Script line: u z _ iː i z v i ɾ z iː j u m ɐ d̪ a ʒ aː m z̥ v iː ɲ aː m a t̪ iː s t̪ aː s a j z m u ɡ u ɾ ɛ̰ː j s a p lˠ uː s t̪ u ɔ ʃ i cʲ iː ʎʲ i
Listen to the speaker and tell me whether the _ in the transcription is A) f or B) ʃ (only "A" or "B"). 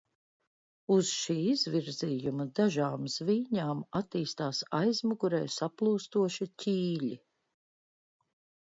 B